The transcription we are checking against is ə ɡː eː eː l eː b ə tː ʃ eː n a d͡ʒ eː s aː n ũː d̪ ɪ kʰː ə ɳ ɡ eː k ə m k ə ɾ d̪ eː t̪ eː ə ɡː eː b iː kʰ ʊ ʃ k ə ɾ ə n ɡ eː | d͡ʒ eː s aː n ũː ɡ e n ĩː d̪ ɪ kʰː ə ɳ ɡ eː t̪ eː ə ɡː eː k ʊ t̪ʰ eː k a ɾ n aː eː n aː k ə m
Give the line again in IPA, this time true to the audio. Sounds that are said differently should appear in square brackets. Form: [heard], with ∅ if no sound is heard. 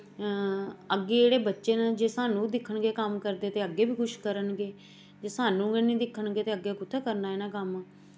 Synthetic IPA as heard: ə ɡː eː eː [ɽ] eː b ə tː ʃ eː n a d͡ʒ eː s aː n ũː d̪ ɪ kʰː ə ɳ ɡ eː k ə m k ə ɾ d̪ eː t̪ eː ə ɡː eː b iː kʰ ʊ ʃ k ə ɾ ə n ɡ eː | d͡ʒ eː s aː n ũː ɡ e n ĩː d̪ ɪ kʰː ə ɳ ɡ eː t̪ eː ə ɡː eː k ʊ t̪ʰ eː k [ə] ɾ n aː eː n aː k ə m